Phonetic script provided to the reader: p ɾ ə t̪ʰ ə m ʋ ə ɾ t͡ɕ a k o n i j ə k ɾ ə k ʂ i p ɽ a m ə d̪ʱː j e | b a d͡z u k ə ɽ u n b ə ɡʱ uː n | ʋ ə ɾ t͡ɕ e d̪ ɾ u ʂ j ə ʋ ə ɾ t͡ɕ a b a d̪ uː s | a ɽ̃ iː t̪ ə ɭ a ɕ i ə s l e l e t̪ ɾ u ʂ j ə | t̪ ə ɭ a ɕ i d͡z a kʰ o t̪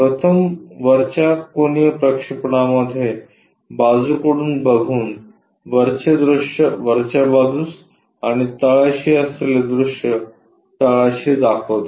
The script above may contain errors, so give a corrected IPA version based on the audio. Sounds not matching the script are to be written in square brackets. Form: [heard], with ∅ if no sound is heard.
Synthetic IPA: p ɾ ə t̪ʰ ə m ʋ ə ɾ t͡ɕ a k o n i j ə [p] ɾ ə k ʂ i p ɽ a m ə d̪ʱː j e | b a d͡z u k ə ɽ [uː] n b ə ɡʱ uː n | ʋ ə ɾ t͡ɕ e d̪ ɾ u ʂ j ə ʋ ə ɾ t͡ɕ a b a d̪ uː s | a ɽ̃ [i] t̪ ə ɭ a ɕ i ə s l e l e [d̪] ɾ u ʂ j ə | t̪ ə ɭ a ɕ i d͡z a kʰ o t̪